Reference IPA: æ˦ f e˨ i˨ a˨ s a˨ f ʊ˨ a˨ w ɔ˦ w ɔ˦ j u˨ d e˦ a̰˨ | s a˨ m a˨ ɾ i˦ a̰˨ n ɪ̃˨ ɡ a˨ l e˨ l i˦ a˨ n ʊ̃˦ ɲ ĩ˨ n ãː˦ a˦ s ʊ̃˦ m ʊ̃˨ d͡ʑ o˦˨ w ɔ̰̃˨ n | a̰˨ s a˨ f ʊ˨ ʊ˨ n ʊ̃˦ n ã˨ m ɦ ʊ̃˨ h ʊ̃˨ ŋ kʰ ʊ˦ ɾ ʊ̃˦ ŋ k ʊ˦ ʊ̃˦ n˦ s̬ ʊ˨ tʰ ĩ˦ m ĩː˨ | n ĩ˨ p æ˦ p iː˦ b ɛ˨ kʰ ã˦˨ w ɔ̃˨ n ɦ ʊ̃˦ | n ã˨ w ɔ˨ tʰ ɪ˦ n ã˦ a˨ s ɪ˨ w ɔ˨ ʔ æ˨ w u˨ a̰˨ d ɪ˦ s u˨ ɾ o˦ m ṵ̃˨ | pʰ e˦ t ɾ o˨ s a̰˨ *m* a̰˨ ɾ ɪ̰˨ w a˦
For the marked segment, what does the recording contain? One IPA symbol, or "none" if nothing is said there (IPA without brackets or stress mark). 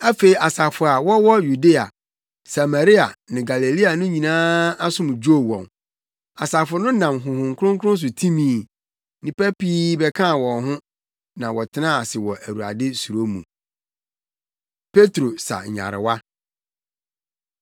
ɲ